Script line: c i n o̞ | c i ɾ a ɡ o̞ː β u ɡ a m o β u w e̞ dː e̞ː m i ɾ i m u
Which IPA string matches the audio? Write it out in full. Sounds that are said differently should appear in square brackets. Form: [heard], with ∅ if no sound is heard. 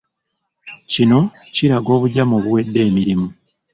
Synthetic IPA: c i n o̞ | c i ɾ a ɡ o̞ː β u [ɟ] a m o β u w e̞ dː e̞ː m i ɾ i m u